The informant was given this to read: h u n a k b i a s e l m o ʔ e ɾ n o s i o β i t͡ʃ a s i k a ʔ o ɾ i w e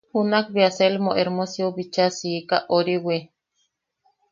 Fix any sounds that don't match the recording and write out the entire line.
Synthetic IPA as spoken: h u n a k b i a s e l m o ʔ e ɾ m o s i o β i t͡ʃ a s i k a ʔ o ɾ i w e